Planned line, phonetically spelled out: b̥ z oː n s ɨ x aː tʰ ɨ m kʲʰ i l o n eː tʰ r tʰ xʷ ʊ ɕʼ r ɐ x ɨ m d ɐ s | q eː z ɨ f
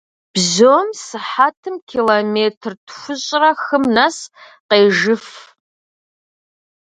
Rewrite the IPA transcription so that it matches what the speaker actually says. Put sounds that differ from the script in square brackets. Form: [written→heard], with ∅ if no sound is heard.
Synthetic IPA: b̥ z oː [n→m] s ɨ [x→ħ] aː tʰ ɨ m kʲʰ i l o [n→m] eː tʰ r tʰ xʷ ʊ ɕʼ r ɐ x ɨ m [d→n] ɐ s | q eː [z→ʒ] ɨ f